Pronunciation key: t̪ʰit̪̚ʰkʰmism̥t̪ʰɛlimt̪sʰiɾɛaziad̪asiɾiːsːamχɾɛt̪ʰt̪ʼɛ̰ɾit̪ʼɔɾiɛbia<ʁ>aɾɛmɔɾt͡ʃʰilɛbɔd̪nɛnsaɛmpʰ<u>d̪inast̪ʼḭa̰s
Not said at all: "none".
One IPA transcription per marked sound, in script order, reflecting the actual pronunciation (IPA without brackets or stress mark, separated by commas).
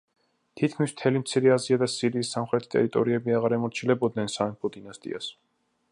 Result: ʁ, ɔ